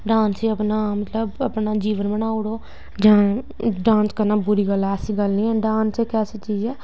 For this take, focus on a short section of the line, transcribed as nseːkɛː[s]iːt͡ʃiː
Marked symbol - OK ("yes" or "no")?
yes